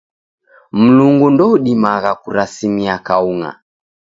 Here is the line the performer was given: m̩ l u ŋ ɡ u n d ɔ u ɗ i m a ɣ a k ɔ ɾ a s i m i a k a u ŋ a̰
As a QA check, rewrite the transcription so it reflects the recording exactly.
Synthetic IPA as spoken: m̩ l u ŋ ɡ u n d ɔ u ɗ i m a ɣ a k u ɾ a s i m i a k a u ŋ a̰